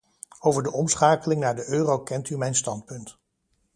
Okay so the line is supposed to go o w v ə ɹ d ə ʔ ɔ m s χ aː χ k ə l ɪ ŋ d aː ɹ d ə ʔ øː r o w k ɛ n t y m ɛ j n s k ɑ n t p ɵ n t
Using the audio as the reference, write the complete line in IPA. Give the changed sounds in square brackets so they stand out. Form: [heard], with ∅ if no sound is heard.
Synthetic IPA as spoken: o w v ə ɹ d ə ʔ ɔ m s χ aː [∅] k ə l ɪ ŋ [n] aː ɹ d ə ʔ øː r o w k ɛ n t y m ɛ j n s [t] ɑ n t p ɵ n t